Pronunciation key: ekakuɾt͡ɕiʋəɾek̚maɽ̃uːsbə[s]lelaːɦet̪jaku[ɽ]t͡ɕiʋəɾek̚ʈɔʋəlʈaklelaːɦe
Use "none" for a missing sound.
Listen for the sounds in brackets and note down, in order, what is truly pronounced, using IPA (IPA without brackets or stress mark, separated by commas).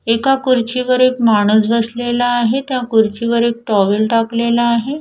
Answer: s, ɾ